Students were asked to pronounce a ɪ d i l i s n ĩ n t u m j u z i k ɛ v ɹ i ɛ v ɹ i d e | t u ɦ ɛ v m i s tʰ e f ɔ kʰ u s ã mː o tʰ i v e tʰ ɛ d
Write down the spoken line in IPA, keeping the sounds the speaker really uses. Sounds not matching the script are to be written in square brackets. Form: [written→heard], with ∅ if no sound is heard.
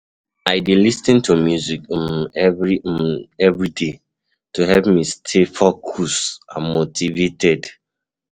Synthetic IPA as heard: a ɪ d i l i s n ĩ n t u m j u z i k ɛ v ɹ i ɛ v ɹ i d e | t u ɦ ɛ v m i s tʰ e f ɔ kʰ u s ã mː o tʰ i v e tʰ ɛ d